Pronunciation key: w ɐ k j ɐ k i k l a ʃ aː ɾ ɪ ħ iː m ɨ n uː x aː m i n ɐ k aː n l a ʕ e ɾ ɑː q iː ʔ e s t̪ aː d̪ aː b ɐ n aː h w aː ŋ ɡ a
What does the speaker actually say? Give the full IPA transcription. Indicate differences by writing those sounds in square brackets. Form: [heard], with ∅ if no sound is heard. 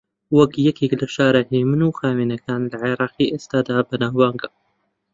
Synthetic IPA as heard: w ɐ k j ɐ k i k l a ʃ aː ɾ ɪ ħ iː m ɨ n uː x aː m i n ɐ k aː n l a ʕ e ɾ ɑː q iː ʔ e s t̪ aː d̪ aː b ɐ n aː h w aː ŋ ɡ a